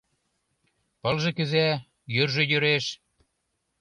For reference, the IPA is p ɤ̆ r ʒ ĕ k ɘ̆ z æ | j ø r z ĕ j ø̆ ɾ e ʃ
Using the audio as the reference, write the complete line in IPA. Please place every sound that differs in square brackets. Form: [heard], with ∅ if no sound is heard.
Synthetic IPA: p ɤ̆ [l] ʒ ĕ k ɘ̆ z æ | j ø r [ʒ] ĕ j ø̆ ɾ e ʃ